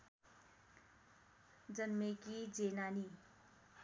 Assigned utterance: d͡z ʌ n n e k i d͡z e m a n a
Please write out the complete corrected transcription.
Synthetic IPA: d͡z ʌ n m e k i d͡z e n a n i